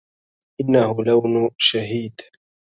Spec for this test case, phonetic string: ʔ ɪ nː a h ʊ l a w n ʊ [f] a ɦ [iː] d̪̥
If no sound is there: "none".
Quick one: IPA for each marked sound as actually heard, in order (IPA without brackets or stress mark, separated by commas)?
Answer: ʃ, iː